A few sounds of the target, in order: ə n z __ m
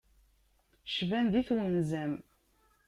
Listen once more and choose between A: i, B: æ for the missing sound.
B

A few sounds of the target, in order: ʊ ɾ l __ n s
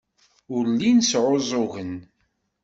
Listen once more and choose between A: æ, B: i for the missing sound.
B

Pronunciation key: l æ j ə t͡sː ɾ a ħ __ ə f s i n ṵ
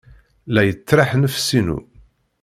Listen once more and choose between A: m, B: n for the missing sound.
B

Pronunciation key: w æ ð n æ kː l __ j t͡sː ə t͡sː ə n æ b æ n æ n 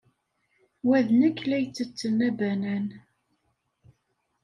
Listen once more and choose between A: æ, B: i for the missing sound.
A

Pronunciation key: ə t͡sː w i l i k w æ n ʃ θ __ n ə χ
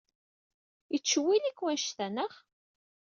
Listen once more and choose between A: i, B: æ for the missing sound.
B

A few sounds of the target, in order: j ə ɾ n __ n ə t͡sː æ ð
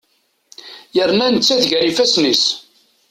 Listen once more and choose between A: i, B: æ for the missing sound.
B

